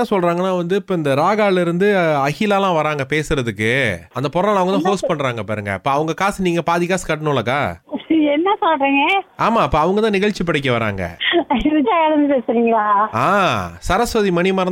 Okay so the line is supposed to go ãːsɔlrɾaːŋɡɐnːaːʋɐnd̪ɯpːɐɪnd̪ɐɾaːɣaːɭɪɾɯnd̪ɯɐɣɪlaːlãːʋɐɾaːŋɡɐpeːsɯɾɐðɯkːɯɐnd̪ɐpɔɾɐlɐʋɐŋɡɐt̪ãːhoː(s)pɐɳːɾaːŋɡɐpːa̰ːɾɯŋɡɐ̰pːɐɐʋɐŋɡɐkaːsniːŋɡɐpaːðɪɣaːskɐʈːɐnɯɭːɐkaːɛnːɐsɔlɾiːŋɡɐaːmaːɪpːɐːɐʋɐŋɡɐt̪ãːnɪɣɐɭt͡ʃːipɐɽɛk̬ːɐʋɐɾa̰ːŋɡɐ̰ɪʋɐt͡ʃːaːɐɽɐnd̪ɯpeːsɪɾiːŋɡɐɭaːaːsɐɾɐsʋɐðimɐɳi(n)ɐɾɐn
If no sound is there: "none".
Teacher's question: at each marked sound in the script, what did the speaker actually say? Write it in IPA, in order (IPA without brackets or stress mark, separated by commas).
s, m